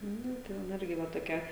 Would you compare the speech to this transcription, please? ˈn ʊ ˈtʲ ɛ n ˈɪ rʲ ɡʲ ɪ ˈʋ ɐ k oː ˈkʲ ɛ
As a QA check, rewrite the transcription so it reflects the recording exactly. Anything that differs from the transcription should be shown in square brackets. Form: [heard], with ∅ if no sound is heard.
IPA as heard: ˈn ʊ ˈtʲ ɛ n ˈɪ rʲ ɡʲ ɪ ˈʋ ɐ [t] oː ˈkʲ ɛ